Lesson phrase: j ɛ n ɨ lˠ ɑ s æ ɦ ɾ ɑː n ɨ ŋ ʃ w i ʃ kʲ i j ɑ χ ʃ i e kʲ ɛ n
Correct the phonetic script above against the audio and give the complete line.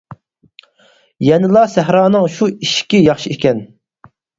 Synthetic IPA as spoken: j ɛ n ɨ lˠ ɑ s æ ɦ ɾ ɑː n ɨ ŋ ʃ u i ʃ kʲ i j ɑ χ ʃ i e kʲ ɛ n